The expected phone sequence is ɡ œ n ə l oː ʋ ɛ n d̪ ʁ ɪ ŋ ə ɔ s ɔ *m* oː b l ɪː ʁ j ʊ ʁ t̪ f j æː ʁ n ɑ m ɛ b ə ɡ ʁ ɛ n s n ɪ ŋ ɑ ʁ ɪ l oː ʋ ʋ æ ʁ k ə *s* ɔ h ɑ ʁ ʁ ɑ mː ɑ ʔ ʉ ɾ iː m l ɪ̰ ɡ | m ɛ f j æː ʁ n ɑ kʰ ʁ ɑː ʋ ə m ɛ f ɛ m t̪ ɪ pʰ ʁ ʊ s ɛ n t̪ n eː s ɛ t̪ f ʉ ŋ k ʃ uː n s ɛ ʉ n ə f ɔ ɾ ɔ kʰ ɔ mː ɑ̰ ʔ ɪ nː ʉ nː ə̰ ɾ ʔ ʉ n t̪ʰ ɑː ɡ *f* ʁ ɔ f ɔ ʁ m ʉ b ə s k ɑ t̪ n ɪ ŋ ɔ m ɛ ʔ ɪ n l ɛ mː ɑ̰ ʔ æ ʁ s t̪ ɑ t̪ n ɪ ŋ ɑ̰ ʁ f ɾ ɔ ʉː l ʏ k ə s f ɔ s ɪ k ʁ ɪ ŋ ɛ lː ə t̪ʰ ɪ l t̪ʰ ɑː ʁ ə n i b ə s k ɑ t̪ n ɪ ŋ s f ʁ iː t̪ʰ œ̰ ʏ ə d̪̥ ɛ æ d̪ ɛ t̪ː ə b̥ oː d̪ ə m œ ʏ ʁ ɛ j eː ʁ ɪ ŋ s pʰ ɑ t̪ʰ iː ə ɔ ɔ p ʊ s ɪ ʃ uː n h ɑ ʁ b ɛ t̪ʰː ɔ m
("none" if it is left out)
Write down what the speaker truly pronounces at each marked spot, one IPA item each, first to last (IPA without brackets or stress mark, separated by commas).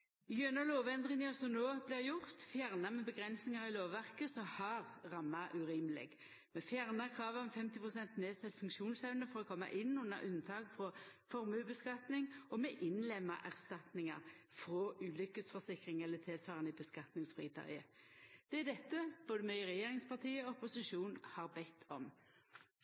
n, s, f